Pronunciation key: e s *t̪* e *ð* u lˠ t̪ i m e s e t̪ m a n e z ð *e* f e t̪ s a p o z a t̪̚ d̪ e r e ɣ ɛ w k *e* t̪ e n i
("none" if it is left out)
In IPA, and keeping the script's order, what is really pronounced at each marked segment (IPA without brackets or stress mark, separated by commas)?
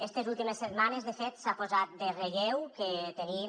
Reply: t̪, z, e, e